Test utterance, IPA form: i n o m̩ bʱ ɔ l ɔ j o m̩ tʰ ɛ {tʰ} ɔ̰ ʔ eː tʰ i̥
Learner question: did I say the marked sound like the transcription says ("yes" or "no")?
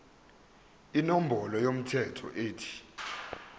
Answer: yes